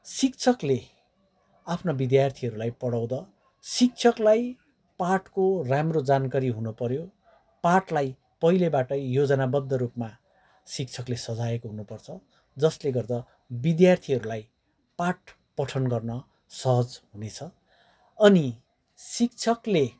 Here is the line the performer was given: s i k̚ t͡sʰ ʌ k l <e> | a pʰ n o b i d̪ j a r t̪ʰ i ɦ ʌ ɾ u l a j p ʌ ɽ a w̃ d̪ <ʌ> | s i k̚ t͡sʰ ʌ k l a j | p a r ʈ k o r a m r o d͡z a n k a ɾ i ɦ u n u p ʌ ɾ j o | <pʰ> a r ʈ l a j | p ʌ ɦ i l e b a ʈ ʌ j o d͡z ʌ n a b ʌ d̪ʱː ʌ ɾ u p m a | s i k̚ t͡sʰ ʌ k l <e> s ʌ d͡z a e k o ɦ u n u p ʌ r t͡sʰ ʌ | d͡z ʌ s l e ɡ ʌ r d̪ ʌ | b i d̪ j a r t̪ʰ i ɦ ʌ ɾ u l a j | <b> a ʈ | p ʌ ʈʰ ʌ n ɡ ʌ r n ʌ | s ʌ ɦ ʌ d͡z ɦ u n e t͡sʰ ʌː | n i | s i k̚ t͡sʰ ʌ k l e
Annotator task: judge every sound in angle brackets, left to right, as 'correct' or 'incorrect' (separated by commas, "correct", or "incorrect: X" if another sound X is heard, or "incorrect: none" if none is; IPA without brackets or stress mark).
correct, correct, incorrect: p, correct, incorrect: p